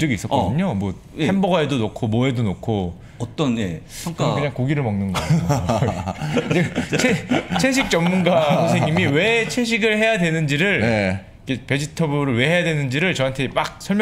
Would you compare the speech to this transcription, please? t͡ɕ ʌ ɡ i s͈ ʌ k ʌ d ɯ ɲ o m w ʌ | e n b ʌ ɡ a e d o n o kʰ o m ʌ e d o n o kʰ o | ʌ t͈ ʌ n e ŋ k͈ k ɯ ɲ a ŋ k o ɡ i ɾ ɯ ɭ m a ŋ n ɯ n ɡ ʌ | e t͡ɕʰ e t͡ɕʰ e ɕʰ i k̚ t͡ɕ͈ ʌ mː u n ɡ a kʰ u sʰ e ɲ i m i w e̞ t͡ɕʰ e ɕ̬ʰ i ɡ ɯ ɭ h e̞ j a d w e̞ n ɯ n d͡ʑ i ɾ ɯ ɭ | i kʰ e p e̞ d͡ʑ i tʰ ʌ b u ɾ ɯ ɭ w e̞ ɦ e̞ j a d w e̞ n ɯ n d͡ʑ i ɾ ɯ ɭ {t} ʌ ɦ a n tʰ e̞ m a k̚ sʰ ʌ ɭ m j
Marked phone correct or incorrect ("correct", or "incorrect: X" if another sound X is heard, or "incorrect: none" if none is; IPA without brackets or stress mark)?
incorrect: t͡ɕ